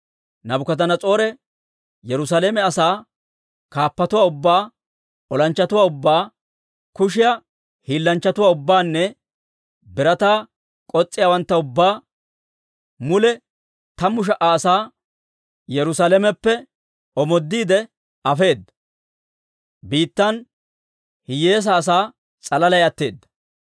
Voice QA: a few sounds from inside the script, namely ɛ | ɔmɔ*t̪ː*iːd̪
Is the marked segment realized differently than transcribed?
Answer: yes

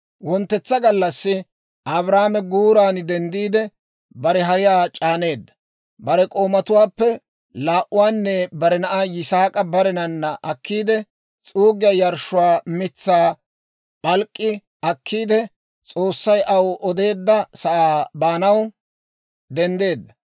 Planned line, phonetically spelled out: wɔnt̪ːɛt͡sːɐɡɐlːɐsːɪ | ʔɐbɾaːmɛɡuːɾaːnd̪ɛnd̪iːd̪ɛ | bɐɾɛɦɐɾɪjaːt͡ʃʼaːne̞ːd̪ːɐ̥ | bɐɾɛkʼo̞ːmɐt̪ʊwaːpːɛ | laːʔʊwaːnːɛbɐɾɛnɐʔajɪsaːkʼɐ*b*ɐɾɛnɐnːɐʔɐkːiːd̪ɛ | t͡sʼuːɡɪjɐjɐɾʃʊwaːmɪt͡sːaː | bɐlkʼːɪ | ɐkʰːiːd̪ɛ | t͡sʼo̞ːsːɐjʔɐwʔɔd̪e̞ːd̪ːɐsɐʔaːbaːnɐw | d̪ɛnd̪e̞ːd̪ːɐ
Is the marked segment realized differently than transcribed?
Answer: no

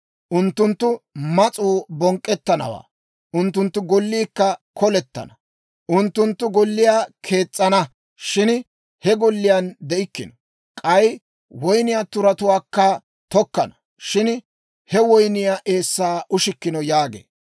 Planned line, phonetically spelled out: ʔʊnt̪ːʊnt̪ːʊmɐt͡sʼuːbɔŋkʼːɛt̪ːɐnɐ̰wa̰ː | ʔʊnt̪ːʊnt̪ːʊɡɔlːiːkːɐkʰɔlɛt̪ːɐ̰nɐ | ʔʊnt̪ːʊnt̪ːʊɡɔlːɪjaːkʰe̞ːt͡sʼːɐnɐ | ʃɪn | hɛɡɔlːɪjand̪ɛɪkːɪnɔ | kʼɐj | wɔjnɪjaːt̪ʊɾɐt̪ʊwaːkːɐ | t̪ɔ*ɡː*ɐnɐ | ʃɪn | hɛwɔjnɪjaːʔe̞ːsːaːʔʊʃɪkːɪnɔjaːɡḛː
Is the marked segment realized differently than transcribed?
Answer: yes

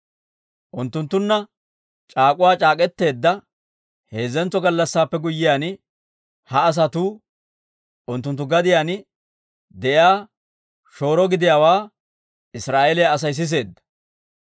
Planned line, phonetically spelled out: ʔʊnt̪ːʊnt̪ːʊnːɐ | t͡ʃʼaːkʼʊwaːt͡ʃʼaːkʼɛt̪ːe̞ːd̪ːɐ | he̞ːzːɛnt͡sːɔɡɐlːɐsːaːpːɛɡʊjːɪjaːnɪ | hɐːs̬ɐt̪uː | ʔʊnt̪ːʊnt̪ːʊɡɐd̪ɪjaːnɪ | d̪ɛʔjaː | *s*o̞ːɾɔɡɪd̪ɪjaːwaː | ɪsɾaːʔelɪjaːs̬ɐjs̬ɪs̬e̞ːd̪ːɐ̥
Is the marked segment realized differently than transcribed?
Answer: yes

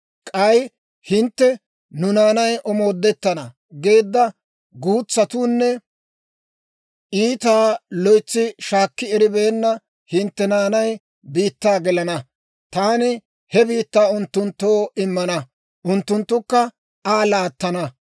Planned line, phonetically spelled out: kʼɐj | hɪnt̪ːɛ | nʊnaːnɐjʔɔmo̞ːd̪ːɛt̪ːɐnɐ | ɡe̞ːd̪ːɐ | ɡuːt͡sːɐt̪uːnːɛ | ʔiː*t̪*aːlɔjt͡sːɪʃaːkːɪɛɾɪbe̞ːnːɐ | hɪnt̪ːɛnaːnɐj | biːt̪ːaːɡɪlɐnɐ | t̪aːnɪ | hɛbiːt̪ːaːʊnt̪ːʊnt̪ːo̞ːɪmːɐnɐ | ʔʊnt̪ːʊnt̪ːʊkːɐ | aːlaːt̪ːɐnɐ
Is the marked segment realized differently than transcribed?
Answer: no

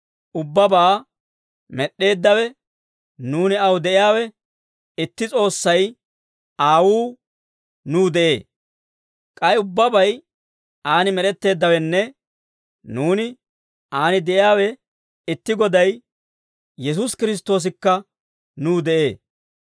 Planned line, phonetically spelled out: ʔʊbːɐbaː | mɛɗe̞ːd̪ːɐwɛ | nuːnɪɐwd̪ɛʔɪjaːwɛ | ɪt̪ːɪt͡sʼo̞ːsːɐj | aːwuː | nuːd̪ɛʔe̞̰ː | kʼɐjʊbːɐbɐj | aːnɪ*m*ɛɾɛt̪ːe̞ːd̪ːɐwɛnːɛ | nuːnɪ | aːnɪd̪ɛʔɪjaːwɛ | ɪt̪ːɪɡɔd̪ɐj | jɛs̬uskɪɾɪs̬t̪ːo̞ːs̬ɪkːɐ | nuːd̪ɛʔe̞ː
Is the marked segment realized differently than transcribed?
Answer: no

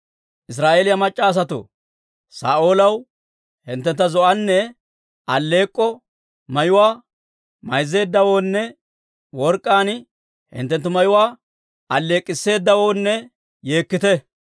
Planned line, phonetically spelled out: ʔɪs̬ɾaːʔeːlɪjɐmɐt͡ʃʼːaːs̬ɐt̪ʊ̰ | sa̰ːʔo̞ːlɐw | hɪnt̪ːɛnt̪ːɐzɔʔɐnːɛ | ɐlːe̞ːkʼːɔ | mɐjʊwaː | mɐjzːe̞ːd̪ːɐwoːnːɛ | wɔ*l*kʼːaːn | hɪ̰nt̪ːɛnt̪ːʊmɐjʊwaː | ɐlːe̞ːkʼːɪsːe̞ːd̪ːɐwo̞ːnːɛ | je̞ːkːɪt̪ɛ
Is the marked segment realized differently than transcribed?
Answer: yes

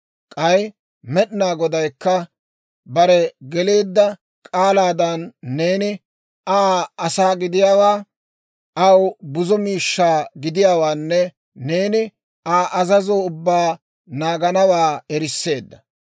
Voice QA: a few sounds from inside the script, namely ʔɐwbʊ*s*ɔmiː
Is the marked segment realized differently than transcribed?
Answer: yes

